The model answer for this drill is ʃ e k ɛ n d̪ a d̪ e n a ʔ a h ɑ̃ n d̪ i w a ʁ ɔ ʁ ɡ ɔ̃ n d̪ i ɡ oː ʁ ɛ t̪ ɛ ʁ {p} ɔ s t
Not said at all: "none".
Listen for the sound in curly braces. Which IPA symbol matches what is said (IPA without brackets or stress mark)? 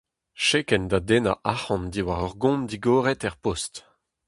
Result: p